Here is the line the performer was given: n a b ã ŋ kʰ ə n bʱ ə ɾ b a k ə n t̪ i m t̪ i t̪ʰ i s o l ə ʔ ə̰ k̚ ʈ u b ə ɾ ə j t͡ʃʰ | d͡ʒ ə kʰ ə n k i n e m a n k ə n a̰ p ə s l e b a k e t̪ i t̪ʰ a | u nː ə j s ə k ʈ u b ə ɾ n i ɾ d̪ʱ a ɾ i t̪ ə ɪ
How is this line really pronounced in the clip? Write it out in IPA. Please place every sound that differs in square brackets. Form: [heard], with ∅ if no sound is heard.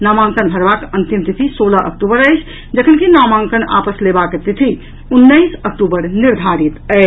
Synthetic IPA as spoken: n a [m] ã ŋ [k] ə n bʱ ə ɾ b a k ə n t̪ i m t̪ i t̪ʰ i s o l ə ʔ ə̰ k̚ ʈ u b ə ɾ ə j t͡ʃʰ | d͡ʒ ə kʰ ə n k i n [a] m a [ŋ] k ə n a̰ p ə s l e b a k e t̪ i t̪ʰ [i] | u nː ə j s ə k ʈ u b ə ɾ n i ɾ d̪ʱ a ɾ i t̪ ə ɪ